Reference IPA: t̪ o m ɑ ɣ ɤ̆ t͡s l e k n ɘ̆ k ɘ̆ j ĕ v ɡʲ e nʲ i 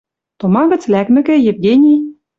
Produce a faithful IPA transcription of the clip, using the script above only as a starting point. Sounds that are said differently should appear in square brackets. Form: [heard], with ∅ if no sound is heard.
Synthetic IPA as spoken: t̪ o m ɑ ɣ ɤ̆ t͡s l [æ] k [m] ɘ̆ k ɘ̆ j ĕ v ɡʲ e nʲ i

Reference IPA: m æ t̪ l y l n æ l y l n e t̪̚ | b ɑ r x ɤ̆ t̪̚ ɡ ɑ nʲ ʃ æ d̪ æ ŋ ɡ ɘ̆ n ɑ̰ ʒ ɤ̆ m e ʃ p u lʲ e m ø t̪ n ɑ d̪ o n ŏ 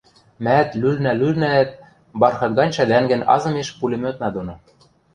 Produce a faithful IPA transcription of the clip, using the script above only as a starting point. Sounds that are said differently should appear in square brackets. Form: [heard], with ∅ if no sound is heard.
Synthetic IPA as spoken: m æ t̪ l y l n æ l y l n [æ] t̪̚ | b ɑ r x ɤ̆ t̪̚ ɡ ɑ nʲ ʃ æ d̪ æ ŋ ɡ ɘ̆ n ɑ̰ [z] ɤ̆ m e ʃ p u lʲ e m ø t̪ n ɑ d̪ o n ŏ

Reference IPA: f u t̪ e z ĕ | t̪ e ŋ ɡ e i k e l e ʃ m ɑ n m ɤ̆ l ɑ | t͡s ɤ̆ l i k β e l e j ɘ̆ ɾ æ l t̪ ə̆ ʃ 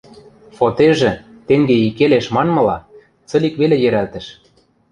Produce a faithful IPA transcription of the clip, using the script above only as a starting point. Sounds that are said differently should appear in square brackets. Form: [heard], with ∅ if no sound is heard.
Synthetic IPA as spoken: f [o] t̪ e [ʒ] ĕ | t̪ e ŋ ɡ e i k e l e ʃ m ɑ n m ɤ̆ l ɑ | t͡s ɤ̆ l i k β e l e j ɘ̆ ɾ æ l t̪ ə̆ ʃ

